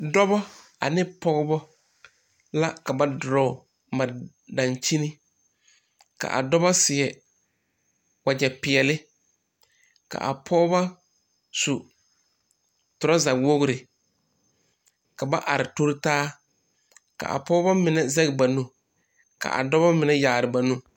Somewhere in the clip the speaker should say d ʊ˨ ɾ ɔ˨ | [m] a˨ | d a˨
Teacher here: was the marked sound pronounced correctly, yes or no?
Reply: yes